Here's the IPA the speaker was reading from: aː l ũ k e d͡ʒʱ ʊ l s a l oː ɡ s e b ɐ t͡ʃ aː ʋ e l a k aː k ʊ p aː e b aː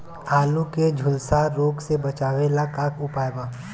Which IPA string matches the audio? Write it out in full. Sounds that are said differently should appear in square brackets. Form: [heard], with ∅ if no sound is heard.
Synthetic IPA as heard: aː l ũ k e d͡ʒʱ ʊ l s a [ɾ] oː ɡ s e b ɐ t͡ʃ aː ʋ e l a k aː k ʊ p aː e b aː